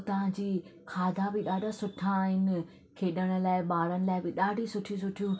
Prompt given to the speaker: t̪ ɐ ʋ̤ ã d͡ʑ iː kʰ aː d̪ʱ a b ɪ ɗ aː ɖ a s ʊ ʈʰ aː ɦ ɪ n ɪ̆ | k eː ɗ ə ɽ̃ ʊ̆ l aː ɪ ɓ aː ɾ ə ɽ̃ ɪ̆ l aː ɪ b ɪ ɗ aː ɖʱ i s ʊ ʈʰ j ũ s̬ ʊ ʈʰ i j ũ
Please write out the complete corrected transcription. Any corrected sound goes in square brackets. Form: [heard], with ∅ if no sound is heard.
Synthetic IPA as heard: t̪ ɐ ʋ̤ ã d͡ʑ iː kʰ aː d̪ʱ a b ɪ ɗ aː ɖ a s ʊ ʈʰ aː ɦ ɪ n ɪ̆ | [kʰ] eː ɗ ə ɽ̃ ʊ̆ l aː ɪ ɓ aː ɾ ə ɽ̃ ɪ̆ l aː ɪ b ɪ ɗ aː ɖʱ i s ʊ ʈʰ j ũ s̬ ʊ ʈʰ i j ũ